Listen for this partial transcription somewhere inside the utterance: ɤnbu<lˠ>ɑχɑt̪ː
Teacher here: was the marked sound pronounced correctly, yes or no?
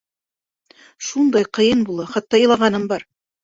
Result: yes